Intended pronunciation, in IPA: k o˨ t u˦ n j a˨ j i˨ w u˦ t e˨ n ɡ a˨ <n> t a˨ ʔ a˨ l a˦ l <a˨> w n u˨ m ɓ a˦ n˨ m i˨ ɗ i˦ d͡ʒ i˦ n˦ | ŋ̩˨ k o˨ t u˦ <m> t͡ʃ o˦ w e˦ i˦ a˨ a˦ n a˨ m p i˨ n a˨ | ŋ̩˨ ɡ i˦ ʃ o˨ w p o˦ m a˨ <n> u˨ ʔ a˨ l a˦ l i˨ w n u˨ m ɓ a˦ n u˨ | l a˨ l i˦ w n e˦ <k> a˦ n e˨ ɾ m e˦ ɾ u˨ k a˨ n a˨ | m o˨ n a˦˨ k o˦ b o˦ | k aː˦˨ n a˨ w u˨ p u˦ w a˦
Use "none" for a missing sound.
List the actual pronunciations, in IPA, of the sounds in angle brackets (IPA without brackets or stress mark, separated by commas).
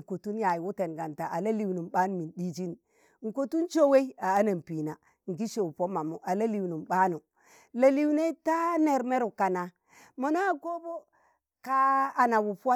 n, i˨, n, m, t